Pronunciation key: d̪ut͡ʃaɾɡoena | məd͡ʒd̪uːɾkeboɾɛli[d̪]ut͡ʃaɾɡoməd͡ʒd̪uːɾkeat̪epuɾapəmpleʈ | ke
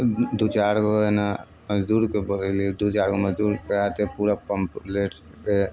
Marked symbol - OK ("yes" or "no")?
yes